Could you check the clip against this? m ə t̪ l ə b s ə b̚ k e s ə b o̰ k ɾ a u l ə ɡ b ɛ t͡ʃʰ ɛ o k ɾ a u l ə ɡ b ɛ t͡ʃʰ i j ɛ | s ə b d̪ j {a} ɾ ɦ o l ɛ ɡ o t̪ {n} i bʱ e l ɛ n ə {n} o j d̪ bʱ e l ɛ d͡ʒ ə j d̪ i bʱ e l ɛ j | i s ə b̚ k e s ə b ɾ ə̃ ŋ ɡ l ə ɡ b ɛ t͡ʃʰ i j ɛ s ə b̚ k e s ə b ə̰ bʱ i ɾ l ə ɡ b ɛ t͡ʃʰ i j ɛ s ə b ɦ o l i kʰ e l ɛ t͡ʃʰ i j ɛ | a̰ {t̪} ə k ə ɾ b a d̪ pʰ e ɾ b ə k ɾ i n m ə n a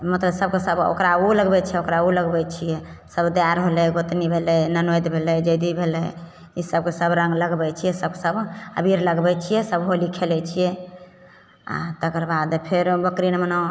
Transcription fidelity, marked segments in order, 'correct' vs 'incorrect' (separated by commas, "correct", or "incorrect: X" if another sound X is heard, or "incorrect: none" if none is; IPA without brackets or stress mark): correct, correct, correct, correct